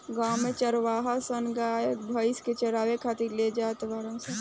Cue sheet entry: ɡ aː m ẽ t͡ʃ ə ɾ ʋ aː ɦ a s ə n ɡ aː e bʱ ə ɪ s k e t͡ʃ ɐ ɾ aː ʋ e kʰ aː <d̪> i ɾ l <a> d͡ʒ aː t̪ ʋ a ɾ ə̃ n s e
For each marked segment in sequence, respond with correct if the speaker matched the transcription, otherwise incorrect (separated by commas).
incorrect, incorrect